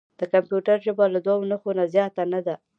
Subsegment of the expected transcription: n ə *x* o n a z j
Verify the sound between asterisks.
correct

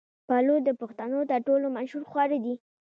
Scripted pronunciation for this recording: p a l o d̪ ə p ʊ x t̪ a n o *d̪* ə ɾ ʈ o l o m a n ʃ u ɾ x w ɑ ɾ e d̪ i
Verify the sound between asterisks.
incorrect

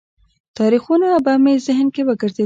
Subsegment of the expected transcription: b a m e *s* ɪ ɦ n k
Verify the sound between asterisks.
incorrect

